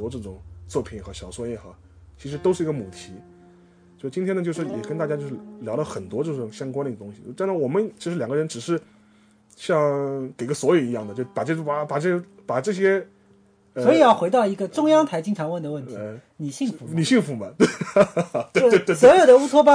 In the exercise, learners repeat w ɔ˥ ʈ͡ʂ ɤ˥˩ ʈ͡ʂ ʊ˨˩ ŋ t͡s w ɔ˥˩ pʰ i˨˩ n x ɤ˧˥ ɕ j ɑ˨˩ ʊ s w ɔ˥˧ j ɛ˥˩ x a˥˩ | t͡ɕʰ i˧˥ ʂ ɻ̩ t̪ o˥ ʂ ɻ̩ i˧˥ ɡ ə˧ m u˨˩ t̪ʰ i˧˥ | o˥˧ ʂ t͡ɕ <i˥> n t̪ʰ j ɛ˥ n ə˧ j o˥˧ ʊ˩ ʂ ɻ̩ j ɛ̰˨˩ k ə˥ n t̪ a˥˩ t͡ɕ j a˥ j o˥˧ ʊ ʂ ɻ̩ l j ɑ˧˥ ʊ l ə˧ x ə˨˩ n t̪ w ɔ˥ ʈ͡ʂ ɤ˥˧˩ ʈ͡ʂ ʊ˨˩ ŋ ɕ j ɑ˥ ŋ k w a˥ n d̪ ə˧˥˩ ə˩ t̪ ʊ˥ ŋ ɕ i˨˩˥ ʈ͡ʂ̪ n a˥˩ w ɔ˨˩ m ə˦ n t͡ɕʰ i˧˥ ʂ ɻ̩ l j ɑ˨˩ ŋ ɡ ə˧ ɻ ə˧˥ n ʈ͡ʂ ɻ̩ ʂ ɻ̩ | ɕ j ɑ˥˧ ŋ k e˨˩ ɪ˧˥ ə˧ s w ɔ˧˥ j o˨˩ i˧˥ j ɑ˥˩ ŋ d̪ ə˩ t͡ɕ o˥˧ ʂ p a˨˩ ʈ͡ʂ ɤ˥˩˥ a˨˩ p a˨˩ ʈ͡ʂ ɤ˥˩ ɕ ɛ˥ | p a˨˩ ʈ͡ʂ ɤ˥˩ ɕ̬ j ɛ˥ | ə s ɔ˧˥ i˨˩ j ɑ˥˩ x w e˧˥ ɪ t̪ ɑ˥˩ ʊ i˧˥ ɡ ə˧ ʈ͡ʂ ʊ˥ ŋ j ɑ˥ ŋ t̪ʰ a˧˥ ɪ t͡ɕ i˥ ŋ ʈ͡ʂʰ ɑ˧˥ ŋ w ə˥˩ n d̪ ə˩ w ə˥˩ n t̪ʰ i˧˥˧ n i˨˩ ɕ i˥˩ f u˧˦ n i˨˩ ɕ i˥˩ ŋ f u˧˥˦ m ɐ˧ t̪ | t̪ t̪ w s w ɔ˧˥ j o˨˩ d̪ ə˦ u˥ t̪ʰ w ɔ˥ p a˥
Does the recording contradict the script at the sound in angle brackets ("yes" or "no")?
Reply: no